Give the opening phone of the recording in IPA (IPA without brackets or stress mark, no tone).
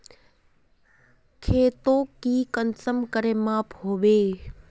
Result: kʰ